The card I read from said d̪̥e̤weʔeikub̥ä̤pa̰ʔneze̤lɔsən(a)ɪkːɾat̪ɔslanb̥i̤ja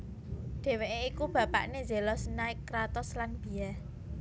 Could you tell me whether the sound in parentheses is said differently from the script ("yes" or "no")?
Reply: no